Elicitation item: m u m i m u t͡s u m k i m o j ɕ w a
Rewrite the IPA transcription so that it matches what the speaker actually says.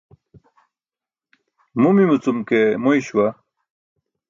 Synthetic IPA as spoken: m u m i m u t͡s u m k e m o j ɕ w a